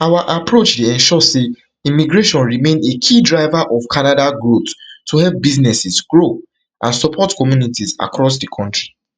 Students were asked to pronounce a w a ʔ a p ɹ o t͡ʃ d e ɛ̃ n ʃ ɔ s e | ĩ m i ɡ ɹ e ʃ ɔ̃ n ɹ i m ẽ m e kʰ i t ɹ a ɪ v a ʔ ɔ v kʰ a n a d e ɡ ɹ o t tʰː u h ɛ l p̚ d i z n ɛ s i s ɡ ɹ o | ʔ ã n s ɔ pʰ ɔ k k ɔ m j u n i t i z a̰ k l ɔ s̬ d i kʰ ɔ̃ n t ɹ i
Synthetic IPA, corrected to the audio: a w a ʔ a p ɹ o t͡ʃ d e ɛ̃ n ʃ ɔ s e | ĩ m i ɡ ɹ e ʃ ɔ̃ n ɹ i m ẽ n e kʰ i d ɹ a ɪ v a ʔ ɔ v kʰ a n a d a ɡ ɹ o t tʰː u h ɛ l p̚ b i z n ɛ s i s ɡ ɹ o | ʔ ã n s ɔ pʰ ɔ t k ɔ m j u n i t i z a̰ k ɹ ɔ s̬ d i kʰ ɔ̃ n t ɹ i